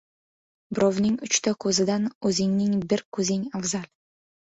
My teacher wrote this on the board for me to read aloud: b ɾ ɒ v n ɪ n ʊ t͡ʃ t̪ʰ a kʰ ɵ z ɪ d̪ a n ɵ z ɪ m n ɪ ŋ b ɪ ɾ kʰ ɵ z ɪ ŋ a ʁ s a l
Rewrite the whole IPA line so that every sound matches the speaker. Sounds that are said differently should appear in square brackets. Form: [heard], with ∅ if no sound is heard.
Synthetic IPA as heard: b ɾ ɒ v n ɪ [ŋ] ʊ t͡ʃ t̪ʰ a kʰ ɵ z ɪ d̪ a n ɵ z ɪ [ŋ] n ɪ ŋ b ɪ ɾ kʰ ɵ z ɪ ŋ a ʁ [z] a l

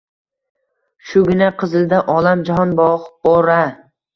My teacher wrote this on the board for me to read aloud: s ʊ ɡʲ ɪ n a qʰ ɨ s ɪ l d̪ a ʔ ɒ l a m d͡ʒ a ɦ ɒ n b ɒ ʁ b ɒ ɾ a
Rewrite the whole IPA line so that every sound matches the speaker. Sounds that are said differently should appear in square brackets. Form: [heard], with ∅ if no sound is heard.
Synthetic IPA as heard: [ʃ] ʊ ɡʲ ɪ n a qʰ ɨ [z] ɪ l d̪ a ʔ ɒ l a m d͡ʒ a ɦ ɒ n b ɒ ʁ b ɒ ɾ a

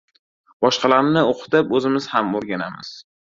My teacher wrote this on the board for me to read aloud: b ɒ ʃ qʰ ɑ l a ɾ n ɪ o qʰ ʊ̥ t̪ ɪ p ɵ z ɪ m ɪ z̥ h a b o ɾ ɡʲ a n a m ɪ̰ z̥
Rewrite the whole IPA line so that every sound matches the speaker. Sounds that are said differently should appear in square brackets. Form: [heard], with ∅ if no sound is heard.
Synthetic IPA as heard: b ɒ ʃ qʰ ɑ l a ɾ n ɪ o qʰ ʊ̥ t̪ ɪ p ɵ z ɪ m ɪ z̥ h a [m] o ɾ ɡʲ a n a m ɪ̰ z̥

